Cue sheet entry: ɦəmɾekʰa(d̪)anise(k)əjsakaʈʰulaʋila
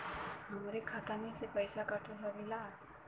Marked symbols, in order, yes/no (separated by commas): no, no